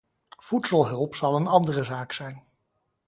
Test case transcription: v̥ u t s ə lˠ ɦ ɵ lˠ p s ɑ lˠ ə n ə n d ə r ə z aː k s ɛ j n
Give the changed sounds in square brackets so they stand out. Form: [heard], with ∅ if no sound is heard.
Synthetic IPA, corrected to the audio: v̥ u t s ə lˠ ɦ ɵ lˠ p s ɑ lˠ ə n [ɑ] n d ə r ə z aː k s ɛ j n

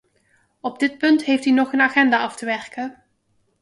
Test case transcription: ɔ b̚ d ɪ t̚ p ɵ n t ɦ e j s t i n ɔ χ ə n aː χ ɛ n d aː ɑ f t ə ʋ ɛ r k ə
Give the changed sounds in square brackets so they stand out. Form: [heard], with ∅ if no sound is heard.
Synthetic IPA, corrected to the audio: ɔ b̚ d ɪ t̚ p ɵ n t ɦ e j [f] t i n ɔ χ ə n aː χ ɛ n d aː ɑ f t ə ʋ ɛ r k ə

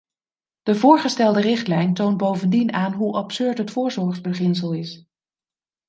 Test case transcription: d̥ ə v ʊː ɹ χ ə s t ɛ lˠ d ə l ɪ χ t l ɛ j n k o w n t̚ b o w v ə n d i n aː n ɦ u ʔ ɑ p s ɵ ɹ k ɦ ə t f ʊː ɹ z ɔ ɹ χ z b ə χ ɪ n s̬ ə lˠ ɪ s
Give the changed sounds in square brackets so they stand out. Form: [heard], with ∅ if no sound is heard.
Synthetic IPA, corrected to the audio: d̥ ə v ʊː ɹ χ ə s t ɛ lˠ d ə [r] ɪ χ t l ɛ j n [t] o w n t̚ b o w v ə n d i n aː n ɦ u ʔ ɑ p s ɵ ɹ [t] ɦ ə t f ʊː ɹ z ɔ ɹ χ z b ə χ ɪ n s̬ ə lˠ ɪ s

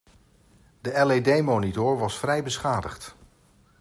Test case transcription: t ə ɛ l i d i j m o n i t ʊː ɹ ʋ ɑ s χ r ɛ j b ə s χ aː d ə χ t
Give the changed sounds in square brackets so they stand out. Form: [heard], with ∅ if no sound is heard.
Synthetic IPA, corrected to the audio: [d] ə ɛ l [e] d [e] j m o n i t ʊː ɹ ʋ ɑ s [f] r ɛ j b ə s χ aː d ə χ t

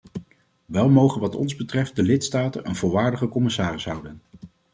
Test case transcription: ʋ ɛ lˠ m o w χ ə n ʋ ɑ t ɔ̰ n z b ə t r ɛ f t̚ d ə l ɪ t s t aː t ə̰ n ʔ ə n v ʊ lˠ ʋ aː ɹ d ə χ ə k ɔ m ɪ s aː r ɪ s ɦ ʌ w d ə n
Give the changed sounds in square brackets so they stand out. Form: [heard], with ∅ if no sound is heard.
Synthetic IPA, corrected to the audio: ʋ ɛ lˠ m o w χ ə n ʋ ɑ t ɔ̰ n z b ə t r ɛ f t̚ d ə l ɪ t s t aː t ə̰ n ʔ ə n v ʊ lˠ ʋ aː ɹ d ə χ ə k ɔ m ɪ s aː r ɪ s ɦ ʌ w d ə n

